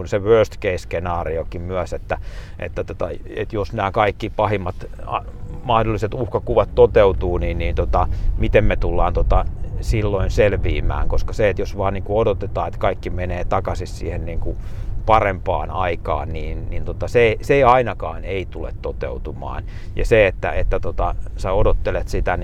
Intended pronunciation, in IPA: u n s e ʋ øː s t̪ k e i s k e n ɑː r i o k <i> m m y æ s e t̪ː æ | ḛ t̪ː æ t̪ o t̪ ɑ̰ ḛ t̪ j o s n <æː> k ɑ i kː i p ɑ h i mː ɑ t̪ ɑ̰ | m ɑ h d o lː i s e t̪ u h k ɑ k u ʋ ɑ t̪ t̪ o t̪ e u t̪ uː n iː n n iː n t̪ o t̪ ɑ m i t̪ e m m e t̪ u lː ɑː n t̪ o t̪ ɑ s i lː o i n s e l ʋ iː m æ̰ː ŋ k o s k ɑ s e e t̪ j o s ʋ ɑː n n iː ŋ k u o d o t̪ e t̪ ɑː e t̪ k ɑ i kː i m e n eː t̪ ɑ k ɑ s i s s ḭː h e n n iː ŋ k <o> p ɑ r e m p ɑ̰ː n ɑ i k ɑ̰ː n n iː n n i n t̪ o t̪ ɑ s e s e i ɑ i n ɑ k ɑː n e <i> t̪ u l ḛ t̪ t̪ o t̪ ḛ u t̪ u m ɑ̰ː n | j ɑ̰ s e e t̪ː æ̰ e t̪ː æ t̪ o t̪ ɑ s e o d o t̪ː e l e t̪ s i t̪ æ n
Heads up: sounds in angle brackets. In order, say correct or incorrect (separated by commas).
correct, correct, incorrect, correct